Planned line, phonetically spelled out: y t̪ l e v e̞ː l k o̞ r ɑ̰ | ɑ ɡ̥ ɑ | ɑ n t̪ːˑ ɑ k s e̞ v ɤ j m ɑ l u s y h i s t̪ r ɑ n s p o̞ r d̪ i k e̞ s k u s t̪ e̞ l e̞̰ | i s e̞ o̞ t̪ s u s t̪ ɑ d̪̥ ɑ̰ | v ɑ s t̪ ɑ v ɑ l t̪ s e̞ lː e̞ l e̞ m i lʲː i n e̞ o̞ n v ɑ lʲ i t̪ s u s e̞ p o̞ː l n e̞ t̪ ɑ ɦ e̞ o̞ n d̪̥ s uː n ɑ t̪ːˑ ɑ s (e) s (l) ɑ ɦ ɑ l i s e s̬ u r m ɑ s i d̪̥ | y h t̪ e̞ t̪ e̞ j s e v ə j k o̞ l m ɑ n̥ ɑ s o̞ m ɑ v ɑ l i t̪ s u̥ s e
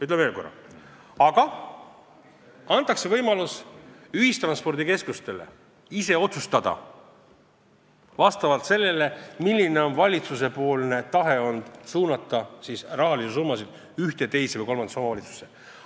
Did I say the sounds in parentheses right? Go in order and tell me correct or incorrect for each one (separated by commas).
incorrect, incorrect